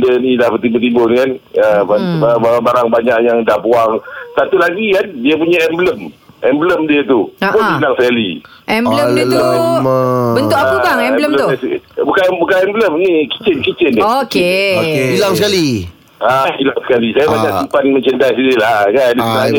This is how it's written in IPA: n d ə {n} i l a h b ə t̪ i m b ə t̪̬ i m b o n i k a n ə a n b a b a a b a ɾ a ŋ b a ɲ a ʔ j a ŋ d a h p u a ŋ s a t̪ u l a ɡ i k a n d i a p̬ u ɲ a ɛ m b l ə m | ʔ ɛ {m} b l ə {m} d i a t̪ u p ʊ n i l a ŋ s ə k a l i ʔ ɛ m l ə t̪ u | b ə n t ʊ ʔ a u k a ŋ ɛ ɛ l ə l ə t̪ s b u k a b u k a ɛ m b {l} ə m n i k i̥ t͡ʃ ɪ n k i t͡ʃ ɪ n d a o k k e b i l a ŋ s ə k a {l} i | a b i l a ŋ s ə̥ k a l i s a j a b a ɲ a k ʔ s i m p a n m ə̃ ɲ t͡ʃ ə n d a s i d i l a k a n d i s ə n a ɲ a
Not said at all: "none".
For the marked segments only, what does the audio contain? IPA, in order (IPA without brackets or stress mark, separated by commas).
n, m, m, l, l